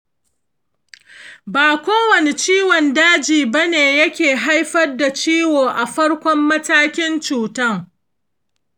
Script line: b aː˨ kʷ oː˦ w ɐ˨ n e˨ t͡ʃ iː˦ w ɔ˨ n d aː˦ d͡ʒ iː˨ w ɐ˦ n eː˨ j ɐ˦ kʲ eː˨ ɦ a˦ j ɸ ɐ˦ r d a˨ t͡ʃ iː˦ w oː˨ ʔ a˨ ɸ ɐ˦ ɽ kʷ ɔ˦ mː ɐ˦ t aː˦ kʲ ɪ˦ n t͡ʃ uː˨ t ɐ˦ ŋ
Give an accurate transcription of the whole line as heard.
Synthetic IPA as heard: b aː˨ kʷ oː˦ w ɐ˨ n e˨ t͡ʃ iː˦ w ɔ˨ n d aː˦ d͡ʒ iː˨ b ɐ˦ n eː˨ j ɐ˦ kʲ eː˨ ɦ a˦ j ɸ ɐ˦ r d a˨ t͡ʃ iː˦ w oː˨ ʔ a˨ ɸ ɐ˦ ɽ kʷ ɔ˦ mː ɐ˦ t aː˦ kʲ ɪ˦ n t͡ʃ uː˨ t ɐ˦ ŋ